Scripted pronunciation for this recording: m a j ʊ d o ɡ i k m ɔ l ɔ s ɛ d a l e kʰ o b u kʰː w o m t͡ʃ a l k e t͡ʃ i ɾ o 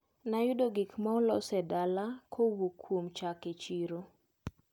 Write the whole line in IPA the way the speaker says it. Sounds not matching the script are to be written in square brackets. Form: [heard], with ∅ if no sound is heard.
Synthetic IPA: [n] a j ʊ d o ɡ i k m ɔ l ɔ s ɛ d a l [a] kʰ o [w] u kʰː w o m t͡ʃ a [∅] k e t͡ʃ i ɾ o